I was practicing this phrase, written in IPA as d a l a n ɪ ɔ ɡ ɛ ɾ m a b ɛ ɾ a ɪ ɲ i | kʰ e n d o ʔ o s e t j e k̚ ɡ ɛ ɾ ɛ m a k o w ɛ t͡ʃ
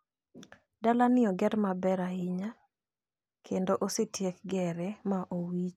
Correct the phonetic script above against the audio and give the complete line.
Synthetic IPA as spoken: d a l a n ɪ ɔ ɡ ɛ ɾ m a b ɛ ɾ a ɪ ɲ a | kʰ e n d o ʔ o s e t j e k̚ ɡ ɛ ɾ ɛ m a ʔ o w i t͡ʃ